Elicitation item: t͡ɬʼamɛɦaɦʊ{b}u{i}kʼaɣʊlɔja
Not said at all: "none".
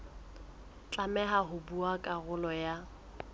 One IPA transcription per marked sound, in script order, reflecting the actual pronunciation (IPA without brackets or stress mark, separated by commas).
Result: b, a